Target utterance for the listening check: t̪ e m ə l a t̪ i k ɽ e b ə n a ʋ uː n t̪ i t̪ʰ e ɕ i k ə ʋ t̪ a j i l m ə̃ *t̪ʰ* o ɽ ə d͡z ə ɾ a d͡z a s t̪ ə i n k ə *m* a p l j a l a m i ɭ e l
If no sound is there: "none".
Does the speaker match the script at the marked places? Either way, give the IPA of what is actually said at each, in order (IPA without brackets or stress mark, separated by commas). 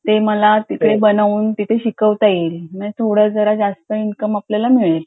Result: t̪ʰ, m